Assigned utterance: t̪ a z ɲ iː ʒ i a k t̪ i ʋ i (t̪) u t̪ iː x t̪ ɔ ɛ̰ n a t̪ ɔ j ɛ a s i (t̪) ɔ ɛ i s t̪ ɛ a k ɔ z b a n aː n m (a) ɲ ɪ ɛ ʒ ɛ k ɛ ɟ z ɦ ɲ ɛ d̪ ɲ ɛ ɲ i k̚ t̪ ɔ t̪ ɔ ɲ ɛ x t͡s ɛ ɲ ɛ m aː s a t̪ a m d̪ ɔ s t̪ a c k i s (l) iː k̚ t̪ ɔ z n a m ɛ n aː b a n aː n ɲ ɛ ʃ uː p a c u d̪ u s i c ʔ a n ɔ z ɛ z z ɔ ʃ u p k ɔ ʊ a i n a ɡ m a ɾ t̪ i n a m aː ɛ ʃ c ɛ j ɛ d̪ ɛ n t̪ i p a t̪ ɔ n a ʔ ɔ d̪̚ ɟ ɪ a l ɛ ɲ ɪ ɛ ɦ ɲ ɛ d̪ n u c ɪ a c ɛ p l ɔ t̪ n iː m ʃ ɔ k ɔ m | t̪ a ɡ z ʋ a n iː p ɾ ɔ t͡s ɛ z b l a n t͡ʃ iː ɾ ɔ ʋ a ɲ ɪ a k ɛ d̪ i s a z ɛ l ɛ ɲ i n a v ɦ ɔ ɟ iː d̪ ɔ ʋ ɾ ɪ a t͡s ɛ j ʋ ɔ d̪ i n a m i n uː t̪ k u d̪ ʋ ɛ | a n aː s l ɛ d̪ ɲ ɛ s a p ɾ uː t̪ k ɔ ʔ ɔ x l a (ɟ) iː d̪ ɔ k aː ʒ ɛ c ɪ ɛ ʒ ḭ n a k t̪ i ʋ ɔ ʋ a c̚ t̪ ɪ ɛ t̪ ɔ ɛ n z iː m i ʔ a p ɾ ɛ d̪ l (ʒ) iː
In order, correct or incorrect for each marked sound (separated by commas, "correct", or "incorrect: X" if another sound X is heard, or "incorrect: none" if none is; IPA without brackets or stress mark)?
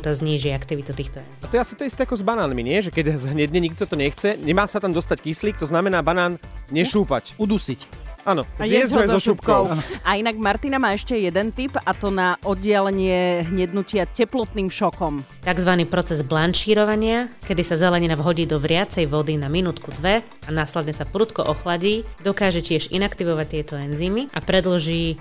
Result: correct, correct, incorrect: i, correct, correct, correct